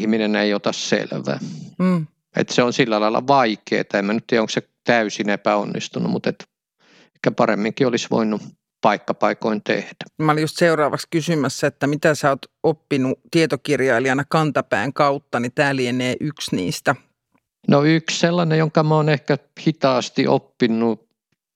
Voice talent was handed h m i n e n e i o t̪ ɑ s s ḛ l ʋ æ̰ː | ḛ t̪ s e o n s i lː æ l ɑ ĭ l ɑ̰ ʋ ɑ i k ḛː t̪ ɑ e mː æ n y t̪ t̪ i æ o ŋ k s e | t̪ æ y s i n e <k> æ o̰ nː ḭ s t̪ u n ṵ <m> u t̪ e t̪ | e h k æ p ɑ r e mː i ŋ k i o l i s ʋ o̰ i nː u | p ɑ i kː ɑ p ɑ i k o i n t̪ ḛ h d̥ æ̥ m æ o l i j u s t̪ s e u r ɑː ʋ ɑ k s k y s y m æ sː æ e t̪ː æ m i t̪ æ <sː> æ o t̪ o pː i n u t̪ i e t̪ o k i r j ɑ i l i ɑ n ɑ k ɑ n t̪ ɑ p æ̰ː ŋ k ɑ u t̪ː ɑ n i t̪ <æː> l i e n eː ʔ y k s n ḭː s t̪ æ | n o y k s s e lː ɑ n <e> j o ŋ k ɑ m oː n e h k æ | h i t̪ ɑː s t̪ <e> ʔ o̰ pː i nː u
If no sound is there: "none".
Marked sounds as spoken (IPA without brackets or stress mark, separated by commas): p, m, s, æː, e, i